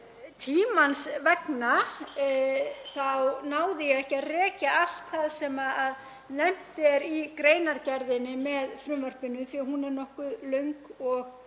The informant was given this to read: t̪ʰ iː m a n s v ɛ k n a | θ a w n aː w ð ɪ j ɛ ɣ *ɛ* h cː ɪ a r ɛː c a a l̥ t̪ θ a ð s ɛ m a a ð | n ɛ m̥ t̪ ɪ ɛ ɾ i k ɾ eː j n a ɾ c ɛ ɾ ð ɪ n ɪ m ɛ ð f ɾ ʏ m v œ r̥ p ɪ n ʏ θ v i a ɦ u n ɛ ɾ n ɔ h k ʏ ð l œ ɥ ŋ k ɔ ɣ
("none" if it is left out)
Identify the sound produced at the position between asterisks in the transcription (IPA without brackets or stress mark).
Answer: ɛ